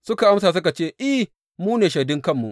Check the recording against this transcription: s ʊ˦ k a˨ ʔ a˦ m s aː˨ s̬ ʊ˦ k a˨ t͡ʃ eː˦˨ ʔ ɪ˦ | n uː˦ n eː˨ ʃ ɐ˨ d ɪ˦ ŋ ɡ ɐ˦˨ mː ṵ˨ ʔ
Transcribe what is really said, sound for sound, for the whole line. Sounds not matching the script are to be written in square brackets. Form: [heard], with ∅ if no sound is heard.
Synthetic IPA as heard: s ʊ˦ k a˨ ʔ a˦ m s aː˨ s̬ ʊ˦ k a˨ t͡ʃ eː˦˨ ʔ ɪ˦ | [m] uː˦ n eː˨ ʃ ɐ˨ d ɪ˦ ŋ [k] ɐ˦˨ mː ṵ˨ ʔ